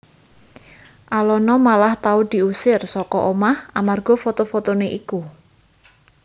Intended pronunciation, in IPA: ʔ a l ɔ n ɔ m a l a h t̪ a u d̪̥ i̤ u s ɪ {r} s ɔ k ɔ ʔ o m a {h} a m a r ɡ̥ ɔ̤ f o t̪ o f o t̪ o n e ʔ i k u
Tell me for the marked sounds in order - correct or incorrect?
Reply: correct, correct

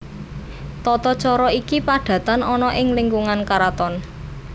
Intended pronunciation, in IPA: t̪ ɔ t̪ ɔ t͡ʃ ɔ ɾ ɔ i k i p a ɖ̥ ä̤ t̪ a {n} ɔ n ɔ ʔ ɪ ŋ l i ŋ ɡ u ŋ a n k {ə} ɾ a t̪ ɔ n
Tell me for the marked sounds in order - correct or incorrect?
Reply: correct, incorrect: a

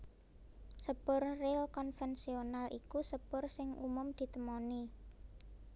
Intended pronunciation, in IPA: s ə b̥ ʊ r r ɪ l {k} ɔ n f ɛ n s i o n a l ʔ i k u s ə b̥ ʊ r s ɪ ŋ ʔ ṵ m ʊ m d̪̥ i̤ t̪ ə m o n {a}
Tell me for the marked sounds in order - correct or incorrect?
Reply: correct, incorrect: i

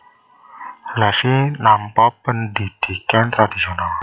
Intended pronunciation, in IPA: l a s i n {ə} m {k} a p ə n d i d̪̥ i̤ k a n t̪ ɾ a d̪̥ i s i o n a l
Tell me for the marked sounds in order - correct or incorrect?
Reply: incorrect: a, incorrect: p

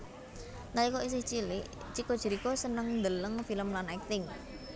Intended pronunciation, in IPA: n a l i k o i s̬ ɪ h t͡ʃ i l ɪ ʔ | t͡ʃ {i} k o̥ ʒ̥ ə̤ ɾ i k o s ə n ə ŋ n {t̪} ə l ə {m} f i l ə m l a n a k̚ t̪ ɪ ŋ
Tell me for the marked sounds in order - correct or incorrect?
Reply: correct, incorrect: d̪, incorrect: ŋ

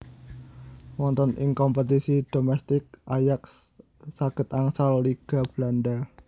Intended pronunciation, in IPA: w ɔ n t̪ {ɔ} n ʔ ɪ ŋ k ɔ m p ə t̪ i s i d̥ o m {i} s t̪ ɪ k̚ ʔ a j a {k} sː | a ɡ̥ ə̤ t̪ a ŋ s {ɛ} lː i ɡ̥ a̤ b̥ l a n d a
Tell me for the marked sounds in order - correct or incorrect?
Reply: correct, incorrect: ɛ, correct, incorrect: a

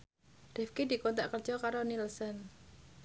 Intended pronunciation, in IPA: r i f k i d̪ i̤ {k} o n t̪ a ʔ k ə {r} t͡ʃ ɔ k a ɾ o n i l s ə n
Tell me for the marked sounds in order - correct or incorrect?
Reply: correct, correct

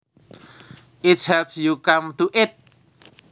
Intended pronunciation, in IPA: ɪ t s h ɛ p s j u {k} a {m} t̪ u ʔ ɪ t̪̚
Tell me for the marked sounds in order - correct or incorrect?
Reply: correct, correct

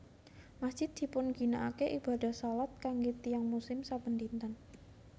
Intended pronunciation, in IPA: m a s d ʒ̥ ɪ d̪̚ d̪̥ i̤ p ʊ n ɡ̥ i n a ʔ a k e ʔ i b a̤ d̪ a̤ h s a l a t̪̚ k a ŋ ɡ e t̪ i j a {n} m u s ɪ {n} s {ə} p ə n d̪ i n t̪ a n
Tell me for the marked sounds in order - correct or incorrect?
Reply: incorrect: ŋ, incorrect: m, incorrect: a

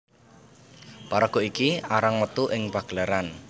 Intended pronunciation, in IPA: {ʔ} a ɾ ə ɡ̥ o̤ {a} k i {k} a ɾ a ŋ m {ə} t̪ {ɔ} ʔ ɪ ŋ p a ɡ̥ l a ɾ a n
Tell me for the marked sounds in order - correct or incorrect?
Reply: incorrect: p, incorrect: i, incorrect: none, correct, incorrect: u

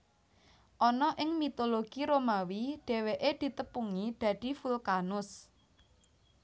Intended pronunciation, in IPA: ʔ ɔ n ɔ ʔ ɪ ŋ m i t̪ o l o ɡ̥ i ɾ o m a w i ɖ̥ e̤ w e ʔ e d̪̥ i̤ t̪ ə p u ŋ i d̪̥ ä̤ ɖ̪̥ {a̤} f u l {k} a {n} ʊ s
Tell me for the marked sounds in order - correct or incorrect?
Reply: incorrect: i̤, correct, correct

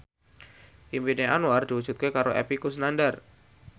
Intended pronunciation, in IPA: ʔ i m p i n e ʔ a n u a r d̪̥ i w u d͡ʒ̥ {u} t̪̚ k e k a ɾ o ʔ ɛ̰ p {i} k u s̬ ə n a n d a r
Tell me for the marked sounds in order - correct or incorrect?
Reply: correct, correct

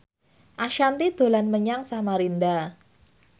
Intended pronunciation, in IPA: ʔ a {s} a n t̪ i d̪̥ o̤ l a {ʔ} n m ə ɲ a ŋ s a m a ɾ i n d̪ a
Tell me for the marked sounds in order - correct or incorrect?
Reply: incorrect: ʃ, incorrect: none

